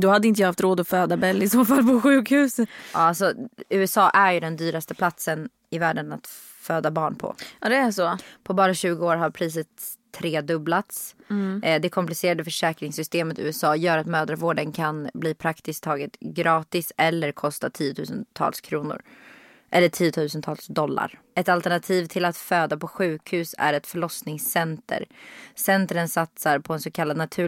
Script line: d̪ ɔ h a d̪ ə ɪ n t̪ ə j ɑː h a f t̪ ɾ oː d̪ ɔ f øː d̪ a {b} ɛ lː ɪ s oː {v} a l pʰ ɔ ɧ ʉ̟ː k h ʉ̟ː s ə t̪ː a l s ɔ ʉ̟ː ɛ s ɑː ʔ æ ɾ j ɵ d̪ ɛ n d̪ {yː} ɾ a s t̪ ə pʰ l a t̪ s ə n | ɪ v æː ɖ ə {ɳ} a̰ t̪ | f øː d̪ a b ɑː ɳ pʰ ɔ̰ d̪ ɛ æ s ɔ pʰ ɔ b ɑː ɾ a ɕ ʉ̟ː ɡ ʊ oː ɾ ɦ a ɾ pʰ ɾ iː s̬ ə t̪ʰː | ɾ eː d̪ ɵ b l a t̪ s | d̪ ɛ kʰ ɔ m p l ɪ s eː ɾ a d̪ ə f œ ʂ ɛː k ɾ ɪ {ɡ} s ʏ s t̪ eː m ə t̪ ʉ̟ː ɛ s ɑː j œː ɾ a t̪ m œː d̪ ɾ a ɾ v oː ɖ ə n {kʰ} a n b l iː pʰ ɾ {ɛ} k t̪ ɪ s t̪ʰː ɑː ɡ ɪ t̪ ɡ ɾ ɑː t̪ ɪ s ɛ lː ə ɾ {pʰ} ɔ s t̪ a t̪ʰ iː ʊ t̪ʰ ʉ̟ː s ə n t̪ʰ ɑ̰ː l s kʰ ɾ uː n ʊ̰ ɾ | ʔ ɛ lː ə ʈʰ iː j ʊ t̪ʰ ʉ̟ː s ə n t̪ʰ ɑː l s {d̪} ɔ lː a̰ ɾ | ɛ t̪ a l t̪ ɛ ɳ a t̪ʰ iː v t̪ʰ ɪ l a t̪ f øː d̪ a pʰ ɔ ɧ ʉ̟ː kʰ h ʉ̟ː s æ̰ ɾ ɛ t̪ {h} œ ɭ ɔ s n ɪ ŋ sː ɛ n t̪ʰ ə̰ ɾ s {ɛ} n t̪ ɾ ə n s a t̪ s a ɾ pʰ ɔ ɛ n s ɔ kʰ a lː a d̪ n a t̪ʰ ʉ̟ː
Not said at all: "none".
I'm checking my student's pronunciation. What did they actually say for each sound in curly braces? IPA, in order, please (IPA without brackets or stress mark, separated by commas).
b, f, yː, n, ŋ, kʰ, a, kʰ, d̪, f, ɛ